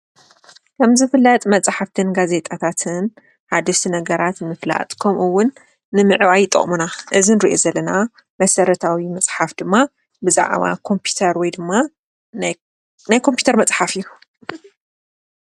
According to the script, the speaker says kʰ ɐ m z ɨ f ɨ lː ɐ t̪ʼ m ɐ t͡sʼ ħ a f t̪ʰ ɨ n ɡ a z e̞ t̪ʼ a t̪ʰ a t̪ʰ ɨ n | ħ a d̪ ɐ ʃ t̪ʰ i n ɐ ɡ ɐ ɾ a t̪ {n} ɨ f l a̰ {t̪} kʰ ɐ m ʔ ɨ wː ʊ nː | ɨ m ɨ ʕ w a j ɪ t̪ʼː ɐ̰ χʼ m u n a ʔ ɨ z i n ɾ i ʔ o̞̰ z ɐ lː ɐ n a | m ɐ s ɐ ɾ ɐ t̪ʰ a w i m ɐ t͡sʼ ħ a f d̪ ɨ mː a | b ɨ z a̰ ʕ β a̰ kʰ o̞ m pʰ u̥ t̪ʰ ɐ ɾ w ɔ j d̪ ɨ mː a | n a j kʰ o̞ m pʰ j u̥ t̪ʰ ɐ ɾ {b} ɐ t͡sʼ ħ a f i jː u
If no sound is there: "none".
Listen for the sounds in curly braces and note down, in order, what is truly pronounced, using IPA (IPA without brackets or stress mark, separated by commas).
m, t̪ʼ, m